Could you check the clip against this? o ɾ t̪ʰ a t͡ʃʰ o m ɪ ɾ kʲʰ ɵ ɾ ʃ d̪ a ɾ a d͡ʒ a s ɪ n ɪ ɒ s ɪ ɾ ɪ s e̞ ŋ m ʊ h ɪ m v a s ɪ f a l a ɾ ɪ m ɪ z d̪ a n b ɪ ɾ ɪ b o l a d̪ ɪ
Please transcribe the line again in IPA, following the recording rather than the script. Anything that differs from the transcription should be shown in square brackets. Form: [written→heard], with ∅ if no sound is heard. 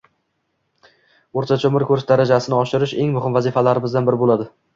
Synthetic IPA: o ɾ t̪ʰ a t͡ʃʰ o m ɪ ɾ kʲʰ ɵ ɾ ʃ d̪ a ɾ a d͡ʒ a s ɪ n ɪ ɒ [s→ʃ] ɪ ɾ ɪ [s→ʃ] e̞ ŋ m ʊ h ɪ m v a [s→z] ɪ f a l a ɾ ɪ m ɪ z d̪ a n b ɪ ɾ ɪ b o l a d̪ ɪ